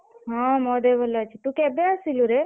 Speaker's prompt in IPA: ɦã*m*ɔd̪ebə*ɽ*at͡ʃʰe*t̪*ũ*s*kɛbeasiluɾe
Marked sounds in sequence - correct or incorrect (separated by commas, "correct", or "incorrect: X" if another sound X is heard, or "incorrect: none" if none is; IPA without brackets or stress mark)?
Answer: correct, incorrect: l, correct, incorrect: none